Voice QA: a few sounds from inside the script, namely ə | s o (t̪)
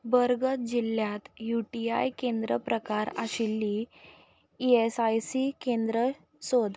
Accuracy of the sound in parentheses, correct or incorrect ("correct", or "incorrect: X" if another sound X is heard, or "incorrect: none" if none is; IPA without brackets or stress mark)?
incorrect: d̪